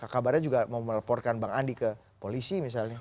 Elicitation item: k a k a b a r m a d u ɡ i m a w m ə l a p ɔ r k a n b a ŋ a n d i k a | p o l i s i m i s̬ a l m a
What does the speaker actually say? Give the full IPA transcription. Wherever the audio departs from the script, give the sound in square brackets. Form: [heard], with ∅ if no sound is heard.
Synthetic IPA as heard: k a k a b a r [ɲ] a [d͡ʒ] u ɡ [a] m a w m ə l a p ɔ r k a n b a ŋ a n d i k [ə] | p o l i s i m i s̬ a l [ɲ] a